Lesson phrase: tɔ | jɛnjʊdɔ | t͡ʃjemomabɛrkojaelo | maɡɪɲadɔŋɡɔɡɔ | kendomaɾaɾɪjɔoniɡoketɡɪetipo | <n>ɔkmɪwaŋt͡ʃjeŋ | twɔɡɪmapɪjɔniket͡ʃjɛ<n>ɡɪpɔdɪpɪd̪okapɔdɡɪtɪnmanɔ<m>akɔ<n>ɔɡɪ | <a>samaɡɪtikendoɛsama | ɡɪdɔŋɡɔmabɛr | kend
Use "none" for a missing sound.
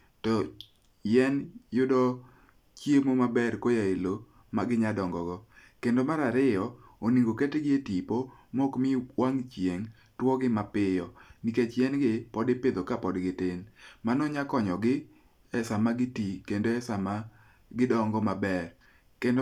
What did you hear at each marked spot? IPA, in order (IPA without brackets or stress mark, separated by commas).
m, n, ɲ, ɲ, ɛ